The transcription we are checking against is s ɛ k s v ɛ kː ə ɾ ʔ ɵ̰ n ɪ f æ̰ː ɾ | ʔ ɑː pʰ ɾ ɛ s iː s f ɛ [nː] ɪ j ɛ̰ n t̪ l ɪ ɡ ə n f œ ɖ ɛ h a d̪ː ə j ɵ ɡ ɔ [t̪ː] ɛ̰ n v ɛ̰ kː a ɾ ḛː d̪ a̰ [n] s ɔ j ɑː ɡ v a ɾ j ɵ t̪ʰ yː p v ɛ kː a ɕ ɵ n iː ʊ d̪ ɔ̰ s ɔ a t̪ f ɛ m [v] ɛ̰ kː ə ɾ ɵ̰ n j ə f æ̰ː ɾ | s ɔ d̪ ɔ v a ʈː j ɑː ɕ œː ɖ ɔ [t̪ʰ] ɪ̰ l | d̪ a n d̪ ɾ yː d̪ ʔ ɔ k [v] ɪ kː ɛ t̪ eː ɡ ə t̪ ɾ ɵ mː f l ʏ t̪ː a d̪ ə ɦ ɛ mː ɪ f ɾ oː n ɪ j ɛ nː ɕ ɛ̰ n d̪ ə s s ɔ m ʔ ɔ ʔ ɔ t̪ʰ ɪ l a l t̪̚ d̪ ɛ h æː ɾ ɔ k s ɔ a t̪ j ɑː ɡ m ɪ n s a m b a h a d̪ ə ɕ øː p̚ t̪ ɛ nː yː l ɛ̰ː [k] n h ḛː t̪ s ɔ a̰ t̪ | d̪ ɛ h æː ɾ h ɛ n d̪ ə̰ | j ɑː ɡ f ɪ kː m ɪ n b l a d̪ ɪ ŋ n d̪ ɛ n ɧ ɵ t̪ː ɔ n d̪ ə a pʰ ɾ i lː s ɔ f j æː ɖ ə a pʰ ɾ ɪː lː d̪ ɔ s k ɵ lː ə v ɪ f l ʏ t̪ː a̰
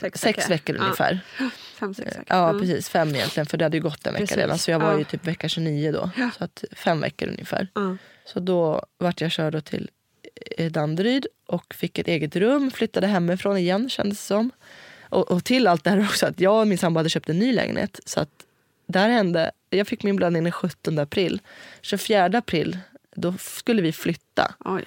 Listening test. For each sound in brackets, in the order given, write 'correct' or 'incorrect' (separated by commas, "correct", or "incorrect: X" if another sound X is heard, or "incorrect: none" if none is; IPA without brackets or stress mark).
incorrect: mː, correct, correct, correct, correct, incorrect: f, incorrect: ɡ